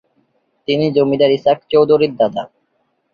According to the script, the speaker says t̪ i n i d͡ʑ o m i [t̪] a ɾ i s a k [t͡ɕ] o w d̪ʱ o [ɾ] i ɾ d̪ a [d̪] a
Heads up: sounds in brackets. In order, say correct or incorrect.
incorrect: d̪, correct, correct, correct

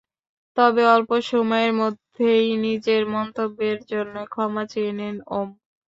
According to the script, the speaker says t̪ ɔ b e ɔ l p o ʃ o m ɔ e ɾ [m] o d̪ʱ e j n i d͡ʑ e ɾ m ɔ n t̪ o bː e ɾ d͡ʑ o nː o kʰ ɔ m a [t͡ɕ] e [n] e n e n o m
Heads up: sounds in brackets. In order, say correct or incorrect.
correct, correct, incorrect: none

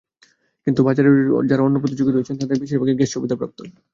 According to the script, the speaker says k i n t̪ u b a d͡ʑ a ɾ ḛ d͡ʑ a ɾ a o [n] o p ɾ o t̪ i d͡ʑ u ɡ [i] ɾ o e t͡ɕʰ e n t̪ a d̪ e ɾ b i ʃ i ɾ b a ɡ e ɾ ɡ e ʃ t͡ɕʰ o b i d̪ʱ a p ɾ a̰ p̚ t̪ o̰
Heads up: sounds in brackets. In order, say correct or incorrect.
incorrect: nː, correct

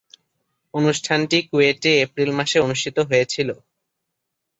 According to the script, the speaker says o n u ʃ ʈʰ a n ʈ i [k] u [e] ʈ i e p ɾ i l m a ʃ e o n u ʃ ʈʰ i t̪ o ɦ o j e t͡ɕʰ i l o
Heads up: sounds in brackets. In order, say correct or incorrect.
correct, correct

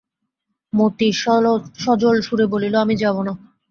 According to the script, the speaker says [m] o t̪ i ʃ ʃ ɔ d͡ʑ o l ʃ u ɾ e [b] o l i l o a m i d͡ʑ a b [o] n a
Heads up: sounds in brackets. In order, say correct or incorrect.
correct, correct, correct

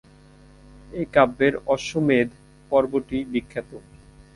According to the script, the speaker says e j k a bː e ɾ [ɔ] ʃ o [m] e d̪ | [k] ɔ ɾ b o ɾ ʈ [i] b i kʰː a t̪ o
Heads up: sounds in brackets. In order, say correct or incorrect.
correct, correct, incorrect: p, correct

